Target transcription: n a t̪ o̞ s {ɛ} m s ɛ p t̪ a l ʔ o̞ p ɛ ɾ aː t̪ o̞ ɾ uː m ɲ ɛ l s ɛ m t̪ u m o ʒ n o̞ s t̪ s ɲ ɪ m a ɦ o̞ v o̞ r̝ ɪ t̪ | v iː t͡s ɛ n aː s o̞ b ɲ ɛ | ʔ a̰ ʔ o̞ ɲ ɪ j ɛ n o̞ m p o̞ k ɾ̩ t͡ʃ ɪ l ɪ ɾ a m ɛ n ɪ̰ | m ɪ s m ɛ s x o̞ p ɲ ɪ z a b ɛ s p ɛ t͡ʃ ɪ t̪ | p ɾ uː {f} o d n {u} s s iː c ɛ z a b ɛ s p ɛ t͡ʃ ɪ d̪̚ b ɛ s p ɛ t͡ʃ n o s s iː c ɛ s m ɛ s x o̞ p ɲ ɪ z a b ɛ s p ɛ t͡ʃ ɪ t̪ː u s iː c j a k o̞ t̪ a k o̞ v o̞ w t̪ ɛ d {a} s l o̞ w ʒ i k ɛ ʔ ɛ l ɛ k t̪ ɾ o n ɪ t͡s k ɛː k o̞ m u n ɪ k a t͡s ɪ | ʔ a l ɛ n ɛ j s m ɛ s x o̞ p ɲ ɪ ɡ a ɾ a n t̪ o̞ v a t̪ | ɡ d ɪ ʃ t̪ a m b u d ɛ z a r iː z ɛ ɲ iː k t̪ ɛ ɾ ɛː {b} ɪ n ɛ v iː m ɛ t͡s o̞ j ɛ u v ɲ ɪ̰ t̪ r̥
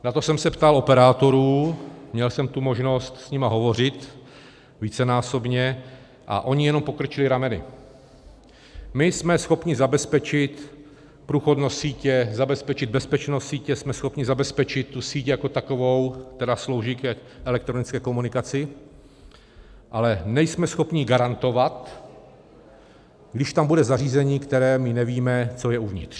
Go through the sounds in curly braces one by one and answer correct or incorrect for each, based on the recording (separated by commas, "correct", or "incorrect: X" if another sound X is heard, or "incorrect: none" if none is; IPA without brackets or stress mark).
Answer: correct, incorrect: x, incorrect: o, correct, incorrect: m